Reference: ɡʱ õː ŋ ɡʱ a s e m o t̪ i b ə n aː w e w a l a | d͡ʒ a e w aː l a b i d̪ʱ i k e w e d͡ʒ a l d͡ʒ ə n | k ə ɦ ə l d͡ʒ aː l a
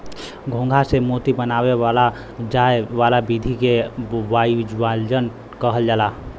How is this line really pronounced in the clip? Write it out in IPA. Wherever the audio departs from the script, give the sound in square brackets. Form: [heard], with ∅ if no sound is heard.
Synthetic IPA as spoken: ɡʱ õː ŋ ɡʱ a s e m o t̪ i b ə n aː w e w a l a | d͡ʒ a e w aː l a b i d̪ʱ i k e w [a] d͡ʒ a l d͡ʒ ə n | k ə ɦ ə l d͡ʒ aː l a